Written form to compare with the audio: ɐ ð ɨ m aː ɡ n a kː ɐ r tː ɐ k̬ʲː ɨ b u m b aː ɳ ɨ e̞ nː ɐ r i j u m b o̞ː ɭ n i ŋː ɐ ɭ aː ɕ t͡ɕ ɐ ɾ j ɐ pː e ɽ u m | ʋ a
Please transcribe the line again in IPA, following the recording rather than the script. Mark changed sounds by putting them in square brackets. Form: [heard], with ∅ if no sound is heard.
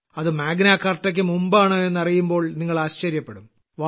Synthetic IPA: ɐ ð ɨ m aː ɡ n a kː ɐ r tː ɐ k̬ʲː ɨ [m] u m b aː ɳ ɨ e̞ nː ɐ r i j u m b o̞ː ɭ n i ŋː ɐ ɭ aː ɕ t͡ɕ ɐ ɾ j ɐ pː e ɽ u m | ʋ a